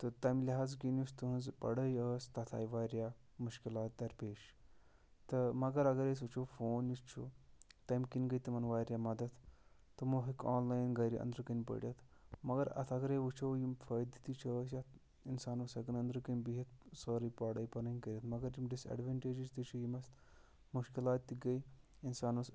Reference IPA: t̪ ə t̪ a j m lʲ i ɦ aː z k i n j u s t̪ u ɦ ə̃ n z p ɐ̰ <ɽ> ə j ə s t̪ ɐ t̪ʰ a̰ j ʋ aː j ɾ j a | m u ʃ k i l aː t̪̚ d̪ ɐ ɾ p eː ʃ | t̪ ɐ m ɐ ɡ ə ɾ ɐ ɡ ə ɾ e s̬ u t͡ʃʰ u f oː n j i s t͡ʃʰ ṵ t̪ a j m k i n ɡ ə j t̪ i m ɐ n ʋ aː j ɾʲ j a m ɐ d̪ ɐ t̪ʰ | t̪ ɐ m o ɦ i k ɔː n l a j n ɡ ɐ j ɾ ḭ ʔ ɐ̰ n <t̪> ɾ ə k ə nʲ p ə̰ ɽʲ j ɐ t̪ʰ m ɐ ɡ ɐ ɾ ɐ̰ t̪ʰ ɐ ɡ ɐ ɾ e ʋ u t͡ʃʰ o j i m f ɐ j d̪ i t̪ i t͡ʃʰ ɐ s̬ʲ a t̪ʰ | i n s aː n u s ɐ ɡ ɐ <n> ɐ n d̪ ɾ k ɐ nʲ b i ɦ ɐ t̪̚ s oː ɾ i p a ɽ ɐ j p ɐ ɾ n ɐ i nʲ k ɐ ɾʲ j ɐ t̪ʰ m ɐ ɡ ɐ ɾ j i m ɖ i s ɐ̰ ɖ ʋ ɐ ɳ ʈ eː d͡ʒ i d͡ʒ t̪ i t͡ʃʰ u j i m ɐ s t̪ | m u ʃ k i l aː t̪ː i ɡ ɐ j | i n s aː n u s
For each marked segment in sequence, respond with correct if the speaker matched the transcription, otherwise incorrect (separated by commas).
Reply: correct, incorrect, correct